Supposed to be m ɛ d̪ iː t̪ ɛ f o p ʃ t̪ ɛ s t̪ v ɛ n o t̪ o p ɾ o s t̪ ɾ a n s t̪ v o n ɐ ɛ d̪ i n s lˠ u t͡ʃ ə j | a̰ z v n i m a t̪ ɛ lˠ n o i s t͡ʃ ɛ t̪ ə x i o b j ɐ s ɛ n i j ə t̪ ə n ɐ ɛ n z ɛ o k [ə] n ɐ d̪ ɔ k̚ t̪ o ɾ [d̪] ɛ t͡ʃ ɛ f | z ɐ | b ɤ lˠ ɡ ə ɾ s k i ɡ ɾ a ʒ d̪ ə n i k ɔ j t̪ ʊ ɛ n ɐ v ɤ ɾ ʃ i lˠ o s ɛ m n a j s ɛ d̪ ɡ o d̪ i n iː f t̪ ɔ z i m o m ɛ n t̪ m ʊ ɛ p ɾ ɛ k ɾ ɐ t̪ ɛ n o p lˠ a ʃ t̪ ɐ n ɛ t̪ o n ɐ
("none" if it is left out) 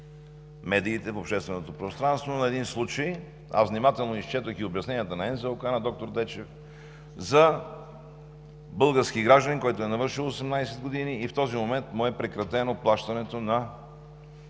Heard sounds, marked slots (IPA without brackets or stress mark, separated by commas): a, d̪